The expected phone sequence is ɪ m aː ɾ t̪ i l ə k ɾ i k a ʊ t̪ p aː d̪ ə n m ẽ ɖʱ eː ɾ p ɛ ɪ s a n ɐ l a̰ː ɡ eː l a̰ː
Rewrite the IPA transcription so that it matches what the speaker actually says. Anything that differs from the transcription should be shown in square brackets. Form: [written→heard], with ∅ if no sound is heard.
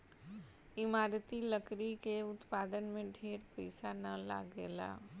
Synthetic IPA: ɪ m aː ɾ t̪ i l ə k ɾ i k [a→e] ʊ t̪ p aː d̪ ə n m ẽ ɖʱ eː ɾ p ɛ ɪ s a n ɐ l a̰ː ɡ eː l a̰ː